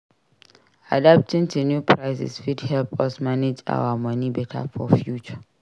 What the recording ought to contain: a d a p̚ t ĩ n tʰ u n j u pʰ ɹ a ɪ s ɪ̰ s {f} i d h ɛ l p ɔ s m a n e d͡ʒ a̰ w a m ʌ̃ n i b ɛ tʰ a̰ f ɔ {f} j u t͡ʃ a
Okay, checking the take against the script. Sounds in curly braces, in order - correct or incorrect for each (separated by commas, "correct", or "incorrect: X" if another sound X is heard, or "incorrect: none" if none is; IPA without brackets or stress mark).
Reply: correct, correct